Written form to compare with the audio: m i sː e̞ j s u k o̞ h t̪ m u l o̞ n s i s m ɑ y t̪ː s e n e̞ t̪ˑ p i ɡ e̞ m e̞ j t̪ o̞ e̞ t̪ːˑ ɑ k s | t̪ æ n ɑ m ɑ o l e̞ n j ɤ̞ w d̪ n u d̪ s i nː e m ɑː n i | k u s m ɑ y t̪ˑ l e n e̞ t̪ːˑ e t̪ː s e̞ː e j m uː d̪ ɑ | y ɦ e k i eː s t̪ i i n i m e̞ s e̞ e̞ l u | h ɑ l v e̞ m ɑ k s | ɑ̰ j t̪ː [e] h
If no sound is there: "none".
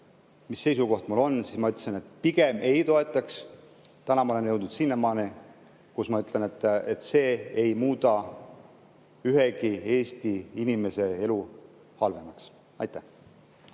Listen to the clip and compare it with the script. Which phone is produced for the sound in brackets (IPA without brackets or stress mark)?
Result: æ